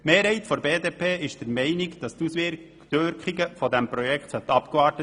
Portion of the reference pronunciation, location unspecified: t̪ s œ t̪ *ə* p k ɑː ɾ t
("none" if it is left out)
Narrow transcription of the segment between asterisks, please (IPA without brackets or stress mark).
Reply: ɑ